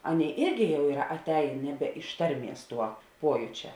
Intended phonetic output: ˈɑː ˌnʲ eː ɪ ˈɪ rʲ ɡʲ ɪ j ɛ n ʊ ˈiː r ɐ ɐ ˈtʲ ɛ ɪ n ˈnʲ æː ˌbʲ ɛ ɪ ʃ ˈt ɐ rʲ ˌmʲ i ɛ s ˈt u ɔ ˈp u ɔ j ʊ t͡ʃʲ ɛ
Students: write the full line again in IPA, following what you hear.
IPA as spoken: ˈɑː ˌnʲ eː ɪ ˈɪ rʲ ɡʲ ɪ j ɛ ʊ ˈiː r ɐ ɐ ˈtʲ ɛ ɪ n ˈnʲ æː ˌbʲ ɛ ɪ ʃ ˈt ɐ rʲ ˌmʲ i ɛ s ˈt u ɔ ˈp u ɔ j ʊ t͡ʃʲ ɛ